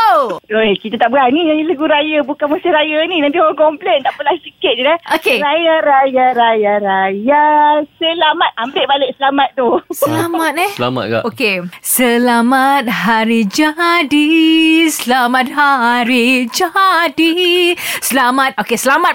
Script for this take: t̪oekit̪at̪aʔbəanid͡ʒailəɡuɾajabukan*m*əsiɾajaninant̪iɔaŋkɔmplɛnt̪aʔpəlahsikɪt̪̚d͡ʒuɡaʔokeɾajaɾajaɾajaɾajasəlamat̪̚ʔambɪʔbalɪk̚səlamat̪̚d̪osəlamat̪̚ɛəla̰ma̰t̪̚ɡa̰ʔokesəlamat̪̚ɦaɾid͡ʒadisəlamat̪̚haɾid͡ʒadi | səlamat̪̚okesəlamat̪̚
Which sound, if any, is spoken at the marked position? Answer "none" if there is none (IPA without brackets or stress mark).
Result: m